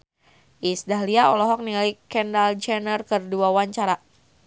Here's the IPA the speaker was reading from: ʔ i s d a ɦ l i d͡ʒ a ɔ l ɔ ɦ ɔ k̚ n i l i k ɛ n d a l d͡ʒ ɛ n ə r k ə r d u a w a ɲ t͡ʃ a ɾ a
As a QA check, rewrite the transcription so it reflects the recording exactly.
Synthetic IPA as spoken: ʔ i s d a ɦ l i a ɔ l ɔ ɦ ɔ k̚ n i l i k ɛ n d a l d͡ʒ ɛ n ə r k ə r d u a w a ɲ t͡ʃ a ɾ a